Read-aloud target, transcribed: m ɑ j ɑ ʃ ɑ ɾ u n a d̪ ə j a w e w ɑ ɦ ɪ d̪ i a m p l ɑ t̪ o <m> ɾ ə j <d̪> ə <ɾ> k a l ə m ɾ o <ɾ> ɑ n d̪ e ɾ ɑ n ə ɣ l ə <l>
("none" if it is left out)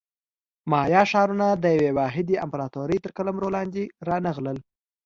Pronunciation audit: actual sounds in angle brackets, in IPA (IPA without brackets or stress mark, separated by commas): none, t̪, ɾ, l, l